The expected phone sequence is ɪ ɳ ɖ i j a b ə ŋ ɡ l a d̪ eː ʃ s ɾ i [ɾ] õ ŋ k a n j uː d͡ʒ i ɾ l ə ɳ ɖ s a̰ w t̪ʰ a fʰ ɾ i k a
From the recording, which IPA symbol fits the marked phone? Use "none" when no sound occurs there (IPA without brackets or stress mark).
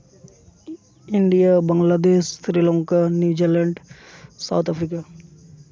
l